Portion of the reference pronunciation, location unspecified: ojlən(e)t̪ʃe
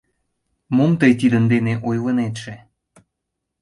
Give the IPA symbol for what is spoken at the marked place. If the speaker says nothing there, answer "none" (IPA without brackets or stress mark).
e